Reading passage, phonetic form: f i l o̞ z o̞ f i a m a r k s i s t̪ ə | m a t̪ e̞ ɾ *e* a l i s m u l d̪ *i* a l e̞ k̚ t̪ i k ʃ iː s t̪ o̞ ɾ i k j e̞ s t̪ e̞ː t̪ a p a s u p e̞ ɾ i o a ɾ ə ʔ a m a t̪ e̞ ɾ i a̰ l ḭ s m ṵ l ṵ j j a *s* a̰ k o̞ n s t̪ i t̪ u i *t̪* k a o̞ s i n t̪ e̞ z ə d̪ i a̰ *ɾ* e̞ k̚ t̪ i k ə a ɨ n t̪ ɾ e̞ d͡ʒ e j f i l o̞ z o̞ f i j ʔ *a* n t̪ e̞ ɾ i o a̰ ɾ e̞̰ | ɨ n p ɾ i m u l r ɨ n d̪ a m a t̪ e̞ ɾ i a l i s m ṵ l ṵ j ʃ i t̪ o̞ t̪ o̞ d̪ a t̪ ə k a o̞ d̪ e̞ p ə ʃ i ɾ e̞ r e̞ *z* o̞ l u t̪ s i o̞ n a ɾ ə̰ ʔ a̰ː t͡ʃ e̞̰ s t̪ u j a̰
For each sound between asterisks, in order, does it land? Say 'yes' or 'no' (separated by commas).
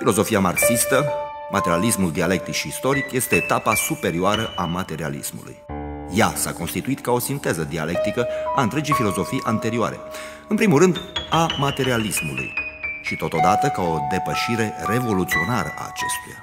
no, yes, yes, yes, no, yes, no